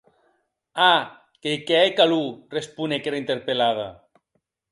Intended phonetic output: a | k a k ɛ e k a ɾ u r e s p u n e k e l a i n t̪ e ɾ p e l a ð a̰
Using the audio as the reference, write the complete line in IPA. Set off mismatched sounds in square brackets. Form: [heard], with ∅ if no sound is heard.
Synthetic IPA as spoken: a | k [e] k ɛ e k a [l] u r e s p u n e k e [ɾ] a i n t̪ e ɾ p e l a ð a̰